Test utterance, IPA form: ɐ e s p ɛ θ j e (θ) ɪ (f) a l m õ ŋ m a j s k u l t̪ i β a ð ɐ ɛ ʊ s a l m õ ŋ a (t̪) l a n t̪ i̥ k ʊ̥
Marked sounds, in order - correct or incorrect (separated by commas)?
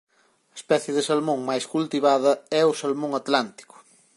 incorrect, incorrect, correct